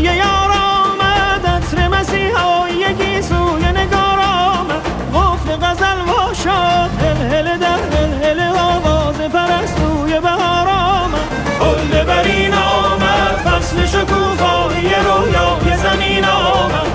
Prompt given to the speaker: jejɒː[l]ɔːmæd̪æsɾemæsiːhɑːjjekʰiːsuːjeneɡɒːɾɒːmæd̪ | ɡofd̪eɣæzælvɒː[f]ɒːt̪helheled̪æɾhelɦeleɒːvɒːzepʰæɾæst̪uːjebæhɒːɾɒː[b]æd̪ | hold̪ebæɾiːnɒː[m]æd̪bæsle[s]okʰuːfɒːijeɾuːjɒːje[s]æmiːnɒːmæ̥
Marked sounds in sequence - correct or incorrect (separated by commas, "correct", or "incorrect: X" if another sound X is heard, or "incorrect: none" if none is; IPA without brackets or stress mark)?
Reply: incorrect: ɾ, incorrect: ʃ, incorrect: m, correct, incorrect: ʃ, incorrect: z